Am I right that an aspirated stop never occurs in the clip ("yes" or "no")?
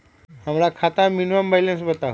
no